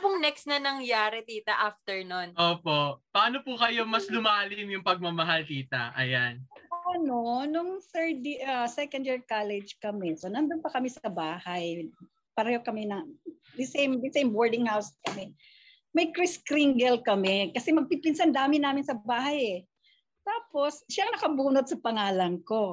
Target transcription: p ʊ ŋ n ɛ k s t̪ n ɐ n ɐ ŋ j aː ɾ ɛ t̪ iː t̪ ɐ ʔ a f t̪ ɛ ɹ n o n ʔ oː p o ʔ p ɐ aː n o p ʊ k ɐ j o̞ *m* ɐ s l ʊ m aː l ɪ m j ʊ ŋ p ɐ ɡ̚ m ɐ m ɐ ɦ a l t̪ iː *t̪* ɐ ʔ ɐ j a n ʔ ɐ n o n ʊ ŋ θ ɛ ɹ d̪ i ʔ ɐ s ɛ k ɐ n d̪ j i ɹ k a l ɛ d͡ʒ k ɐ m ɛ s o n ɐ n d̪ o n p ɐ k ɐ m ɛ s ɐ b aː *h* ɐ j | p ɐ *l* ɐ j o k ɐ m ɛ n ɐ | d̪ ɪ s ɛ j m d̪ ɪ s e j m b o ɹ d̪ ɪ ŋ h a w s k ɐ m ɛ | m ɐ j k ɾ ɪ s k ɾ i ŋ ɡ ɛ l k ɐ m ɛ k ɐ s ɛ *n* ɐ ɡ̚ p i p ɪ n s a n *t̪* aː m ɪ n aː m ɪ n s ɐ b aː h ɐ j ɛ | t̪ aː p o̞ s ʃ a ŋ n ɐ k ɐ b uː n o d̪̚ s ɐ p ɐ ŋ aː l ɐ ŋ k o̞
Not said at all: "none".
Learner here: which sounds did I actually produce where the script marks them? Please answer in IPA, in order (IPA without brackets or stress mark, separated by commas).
m, t̪, h, ɾ, m, d̪